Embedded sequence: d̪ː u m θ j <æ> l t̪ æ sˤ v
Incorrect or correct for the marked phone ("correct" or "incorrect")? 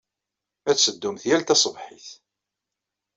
correct